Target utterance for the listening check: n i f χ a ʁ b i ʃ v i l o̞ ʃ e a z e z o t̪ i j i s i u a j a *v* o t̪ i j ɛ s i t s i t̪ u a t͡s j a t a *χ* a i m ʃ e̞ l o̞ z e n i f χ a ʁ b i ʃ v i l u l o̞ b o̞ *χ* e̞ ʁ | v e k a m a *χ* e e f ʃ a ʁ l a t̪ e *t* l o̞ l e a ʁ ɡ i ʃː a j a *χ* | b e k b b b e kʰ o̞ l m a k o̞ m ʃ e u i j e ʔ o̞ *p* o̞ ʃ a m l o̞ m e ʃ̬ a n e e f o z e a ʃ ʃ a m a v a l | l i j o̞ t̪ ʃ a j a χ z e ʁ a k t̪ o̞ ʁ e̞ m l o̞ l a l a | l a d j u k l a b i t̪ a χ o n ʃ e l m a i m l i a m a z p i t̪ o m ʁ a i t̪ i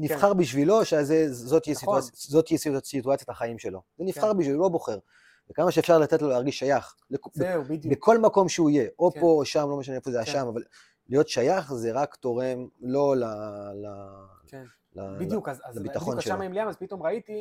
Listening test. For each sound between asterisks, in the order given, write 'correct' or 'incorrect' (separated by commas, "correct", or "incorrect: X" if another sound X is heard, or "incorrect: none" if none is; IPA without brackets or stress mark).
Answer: incorrect: z, correct, correct, incorrect: ʃ, correct, correct, correct